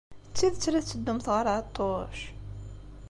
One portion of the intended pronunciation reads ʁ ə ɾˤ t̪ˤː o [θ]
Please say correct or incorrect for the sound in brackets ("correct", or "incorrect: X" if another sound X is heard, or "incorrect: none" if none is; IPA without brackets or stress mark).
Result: incorrect: ʃ